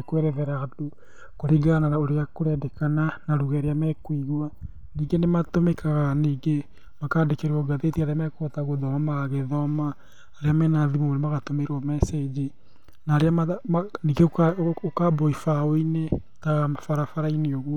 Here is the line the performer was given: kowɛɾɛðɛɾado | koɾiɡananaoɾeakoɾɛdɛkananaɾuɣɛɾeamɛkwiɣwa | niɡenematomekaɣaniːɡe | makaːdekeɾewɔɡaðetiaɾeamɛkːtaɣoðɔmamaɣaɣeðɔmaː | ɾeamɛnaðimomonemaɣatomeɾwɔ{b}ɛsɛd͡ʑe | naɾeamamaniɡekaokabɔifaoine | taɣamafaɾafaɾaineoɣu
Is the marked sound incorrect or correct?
incorrect: m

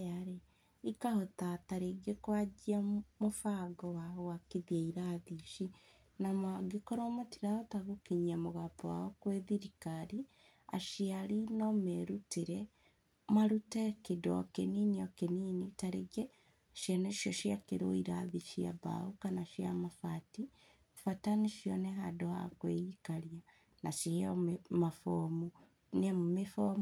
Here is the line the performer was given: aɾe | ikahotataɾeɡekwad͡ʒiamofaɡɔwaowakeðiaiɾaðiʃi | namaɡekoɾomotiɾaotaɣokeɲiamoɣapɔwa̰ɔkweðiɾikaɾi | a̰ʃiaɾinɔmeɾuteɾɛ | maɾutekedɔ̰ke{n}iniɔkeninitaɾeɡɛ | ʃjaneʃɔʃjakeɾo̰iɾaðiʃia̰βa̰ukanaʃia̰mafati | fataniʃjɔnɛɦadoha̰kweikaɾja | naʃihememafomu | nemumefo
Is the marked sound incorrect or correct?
correct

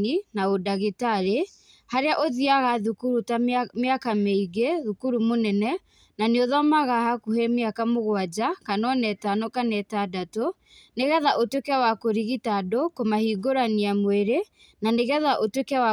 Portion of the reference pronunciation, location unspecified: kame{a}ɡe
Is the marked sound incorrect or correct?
incorrect: i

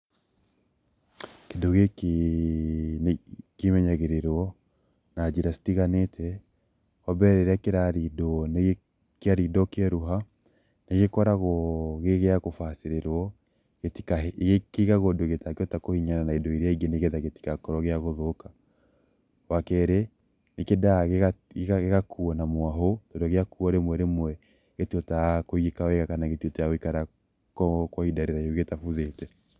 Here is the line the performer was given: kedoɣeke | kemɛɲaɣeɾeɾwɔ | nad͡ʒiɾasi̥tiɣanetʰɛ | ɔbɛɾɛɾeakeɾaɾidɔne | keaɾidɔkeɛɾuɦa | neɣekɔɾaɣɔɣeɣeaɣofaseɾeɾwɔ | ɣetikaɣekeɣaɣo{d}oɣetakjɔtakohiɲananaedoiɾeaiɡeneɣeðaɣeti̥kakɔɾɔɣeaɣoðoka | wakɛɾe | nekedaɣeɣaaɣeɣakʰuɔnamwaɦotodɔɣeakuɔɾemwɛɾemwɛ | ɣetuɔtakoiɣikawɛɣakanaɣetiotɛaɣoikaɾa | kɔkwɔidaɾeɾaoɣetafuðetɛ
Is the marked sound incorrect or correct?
correct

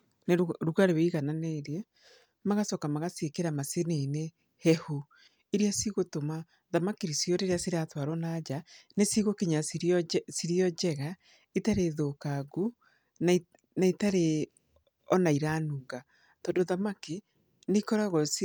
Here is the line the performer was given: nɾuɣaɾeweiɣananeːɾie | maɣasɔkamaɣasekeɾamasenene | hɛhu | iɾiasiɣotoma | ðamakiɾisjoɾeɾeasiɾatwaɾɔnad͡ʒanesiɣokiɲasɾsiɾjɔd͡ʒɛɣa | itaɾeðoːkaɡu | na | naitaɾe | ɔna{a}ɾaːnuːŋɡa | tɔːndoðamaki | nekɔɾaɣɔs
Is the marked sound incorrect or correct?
incorrect: i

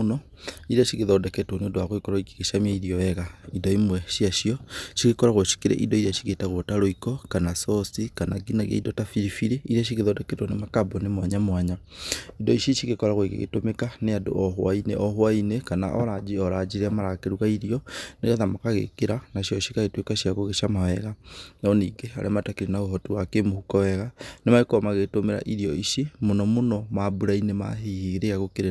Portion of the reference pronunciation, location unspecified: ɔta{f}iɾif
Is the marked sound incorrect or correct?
correct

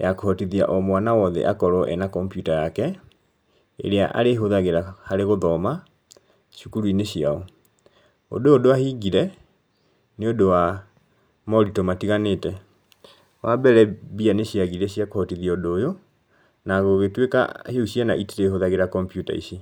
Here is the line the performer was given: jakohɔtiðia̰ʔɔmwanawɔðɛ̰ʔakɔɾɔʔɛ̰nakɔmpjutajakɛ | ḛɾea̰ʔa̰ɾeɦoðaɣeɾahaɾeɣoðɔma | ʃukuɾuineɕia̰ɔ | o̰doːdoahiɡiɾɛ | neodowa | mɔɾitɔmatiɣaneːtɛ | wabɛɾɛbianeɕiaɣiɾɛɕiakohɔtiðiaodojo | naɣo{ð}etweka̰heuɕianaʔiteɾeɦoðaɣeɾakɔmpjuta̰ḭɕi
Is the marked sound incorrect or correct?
incorrect: ɣ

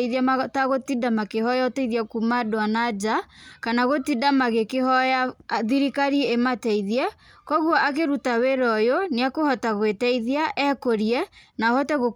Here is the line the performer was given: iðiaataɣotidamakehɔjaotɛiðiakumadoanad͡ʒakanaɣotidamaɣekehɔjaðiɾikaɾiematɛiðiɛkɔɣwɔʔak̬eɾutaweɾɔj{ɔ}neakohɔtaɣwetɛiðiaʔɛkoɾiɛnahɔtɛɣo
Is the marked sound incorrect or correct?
incorrect: o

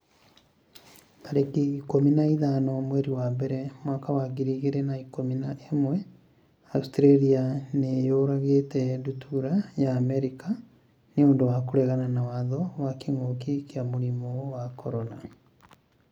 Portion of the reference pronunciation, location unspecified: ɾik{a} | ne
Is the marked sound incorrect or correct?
correct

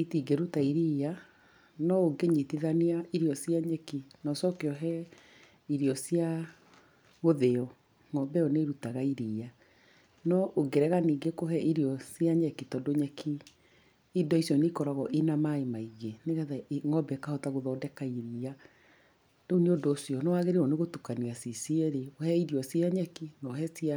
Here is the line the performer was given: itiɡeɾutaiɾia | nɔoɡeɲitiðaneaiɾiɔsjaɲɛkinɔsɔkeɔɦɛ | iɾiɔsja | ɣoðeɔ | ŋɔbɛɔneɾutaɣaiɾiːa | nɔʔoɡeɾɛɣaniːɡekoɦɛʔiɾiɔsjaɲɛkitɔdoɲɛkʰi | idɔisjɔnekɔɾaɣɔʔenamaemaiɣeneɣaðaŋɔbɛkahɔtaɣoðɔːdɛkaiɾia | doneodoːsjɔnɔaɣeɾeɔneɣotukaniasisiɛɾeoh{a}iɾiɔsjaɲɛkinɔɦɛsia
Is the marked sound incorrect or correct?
incorrect: ɛ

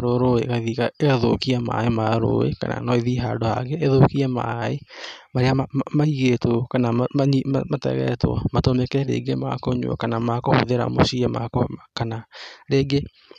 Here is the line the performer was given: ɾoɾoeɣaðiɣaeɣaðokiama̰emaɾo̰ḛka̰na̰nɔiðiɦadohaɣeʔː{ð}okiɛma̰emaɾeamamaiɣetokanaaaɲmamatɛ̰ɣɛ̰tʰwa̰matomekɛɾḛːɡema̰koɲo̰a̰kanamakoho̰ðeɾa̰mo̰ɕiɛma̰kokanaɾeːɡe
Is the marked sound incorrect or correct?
correct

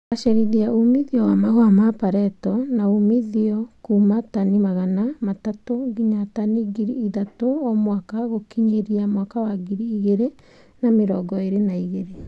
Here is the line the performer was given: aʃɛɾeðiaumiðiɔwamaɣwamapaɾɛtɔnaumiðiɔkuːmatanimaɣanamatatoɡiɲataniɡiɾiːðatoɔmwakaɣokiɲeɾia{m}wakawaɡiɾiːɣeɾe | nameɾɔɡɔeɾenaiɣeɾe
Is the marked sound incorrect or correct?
correct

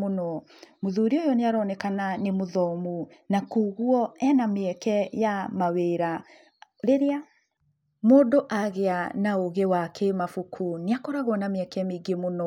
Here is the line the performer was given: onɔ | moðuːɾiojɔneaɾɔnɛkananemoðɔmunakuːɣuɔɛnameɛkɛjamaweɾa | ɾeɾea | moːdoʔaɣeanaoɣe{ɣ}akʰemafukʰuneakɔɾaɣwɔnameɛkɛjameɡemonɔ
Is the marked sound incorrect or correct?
incorrect: w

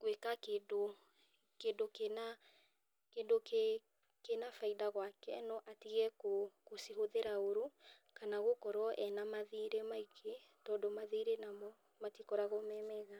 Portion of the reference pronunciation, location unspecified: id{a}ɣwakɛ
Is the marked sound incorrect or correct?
correct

